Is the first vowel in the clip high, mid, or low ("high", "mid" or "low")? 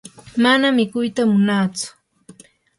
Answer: low